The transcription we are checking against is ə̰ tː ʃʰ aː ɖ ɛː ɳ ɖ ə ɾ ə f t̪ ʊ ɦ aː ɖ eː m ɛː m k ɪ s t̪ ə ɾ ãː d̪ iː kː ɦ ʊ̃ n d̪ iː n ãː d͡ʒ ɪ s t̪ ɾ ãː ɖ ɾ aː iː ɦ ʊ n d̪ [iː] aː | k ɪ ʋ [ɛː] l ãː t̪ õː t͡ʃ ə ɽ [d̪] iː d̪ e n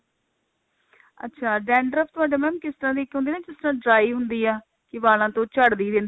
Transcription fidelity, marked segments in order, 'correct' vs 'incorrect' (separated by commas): correct, incorrect, correct